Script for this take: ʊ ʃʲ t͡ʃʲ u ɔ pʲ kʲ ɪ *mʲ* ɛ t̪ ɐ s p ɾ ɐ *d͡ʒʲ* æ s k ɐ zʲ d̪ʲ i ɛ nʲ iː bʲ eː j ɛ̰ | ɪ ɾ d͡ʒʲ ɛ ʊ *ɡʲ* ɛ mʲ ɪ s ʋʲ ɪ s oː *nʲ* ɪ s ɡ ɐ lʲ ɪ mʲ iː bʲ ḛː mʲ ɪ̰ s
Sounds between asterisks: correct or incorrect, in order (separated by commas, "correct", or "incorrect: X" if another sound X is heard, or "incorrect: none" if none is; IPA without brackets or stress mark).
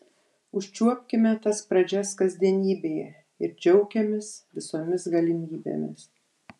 correct, correct, incorrect: kʲ, incorrect: mʲ